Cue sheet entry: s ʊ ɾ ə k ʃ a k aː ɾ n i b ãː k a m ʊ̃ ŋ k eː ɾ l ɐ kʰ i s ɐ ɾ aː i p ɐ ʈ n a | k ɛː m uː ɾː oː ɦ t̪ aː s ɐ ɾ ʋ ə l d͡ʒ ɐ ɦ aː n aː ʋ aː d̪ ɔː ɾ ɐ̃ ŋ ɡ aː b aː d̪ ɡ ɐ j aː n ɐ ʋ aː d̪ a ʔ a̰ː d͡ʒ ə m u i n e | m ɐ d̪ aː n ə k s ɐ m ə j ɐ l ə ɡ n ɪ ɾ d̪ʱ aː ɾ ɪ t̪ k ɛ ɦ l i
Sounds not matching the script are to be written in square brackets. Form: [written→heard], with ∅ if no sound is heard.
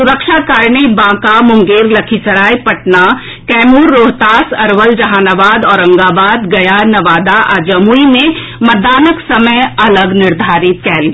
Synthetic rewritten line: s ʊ ɾ ə k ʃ a k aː ɾ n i b ãː k a m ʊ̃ ŋ [k→ɡ] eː ɾ l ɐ kʰ i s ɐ ɾ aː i p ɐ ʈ n a | k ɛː m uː ɾː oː ɦ t̪ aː s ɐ ɾ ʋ ə l d͡ʒ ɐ ɦ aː n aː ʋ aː d̪ ɔː ɾ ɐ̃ ŋ ɡ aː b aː d̪ ɡ ɐ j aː n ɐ ʋ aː d̪ a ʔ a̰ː d͡ʒ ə m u i n e | m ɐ d̪ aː n ə k s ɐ m ə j ɐ l ə ɡ n ɪ ɾ d̪ʱ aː ɾ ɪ t̪ k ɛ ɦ l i